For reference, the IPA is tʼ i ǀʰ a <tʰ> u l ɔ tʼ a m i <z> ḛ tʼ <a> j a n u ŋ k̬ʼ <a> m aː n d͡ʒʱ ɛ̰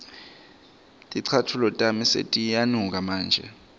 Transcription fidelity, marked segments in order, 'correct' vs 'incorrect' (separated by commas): correct, incorrect, incorrect, correct